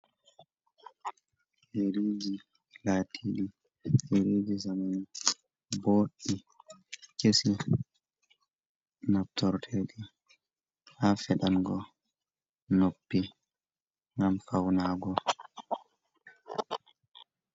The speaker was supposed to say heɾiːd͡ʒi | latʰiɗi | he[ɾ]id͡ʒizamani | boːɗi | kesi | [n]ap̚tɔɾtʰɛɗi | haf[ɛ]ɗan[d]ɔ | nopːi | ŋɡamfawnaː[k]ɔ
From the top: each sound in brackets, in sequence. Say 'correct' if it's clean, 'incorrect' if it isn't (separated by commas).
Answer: correct, correct, correct, incorrect, incorrect